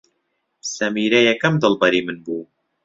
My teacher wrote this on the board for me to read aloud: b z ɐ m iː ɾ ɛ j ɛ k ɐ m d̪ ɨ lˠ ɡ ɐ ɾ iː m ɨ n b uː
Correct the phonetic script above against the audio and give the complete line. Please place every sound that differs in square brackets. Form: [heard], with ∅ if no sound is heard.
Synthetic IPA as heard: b [s] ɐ m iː ɾ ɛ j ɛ k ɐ m d̪ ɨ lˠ [b] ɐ ɾ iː m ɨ n b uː